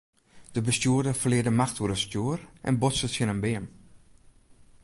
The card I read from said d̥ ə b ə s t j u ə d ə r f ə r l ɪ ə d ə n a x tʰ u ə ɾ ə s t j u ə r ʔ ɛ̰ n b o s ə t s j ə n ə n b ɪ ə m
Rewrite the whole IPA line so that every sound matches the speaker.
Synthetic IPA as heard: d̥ ə b ə s t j u ə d ə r f ə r l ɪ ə d ə m a x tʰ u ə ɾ ə s t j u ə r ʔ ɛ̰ n b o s ə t s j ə n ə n b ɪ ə m